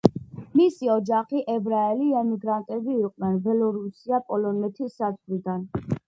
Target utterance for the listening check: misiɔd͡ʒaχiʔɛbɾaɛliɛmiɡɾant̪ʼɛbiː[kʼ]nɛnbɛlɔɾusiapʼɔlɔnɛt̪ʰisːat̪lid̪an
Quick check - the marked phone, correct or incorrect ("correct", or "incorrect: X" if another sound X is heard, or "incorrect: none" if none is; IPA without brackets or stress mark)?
incorrect: qʼ